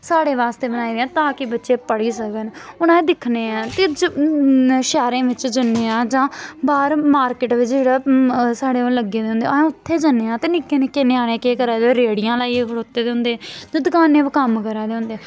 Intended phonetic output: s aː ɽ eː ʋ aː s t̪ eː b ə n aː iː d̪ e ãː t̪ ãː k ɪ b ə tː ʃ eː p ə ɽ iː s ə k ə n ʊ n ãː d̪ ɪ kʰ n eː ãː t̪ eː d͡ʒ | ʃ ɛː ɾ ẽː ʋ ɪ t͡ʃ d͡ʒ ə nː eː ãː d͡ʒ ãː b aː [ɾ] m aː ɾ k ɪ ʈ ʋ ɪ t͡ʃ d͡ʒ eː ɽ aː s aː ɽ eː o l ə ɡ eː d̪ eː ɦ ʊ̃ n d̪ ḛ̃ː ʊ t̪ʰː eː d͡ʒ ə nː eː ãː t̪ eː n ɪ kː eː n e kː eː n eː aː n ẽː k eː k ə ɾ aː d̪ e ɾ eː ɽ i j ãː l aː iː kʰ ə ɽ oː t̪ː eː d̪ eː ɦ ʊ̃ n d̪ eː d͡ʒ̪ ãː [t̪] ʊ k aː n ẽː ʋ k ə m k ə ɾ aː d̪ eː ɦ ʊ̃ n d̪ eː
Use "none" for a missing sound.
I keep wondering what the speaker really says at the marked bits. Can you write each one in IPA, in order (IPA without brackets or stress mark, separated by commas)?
ɾ, d̪